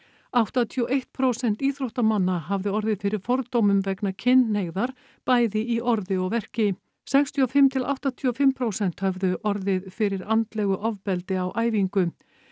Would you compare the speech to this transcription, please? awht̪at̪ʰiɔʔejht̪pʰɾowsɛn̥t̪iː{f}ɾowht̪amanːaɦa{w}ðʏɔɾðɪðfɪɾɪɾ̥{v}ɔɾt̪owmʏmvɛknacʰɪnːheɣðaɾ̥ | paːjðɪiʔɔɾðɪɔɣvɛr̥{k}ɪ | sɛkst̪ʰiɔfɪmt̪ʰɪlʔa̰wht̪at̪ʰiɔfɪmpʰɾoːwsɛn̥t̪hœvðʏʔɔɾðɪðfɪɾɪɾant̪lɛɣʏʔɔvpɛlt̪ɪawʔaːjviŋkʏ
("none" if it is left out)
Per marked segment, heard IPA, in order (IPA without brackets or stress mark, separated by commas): θ, v, f, c